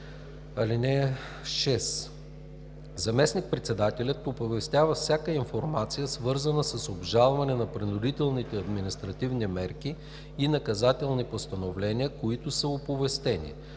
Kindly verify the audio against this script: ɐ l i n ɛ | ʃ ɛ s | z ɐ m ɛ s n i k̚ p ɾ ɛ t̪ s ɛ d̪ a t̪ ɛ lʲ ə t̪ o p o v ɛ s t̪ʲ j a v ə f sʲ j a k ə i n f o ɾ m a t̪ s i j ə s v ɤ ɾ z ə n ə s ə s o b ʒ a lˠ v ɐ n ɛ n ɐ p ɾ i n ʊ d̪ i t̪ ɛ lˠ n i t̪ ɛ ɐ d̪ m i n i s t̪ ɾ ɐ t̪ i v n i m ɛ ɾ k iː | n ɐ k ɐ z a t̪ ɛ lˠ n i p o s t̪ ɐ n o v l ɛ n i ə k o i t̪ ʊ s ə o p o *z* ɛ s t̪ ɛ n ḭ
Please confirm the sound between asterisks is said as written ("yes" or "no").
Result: no